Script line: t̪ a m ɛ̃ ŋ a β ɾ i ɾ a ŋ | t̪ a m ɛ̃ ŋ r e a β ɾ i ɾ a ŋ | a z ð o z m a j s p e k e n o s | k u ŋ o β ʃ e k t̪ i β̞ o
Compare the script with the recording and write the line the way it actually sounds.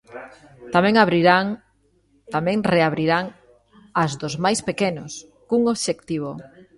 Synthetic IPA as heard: t̪ a m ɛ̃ ŋ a β ɾ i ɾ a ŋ | t̪ a m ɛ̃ ŋ r e a β ɾ i ɾ a ŋ | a z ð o z m a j s p e k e n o s | k u ŋ o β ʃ e k t̪ i β̞ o